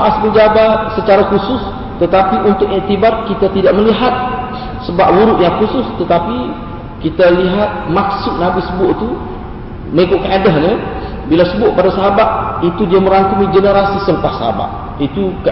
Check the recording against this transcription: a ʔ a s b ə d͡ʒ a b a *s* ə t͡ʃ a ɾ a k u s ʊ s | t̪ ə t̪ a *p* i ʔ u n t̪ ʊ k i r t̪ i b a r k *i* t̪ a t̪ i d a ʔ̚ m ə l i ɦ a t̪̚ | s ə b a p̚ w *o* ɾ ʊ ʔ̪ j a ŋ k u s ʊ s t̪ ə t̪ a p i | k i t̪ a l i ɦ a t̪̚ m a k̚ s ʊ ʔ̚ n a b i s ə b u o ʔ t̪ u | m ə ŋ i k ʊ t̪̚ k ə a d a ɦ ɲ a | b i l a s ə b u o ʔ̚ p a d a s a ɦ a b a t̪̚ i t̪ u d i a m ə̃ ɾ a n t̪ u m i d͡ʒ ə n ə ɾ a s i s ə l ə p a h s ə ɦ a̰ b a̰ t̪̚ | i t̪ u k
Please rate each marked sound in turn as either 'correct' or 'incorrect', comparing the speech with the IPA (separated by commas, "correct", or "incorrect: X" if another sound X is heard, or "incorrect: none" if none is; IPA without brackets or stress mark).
correct, correct, correct, incorrect: u